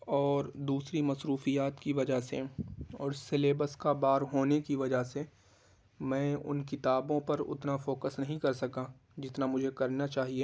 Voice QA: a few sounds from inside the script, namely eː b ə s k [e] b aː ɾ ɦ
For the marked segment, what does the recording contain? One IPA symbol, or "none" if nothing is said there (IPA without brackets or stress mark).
a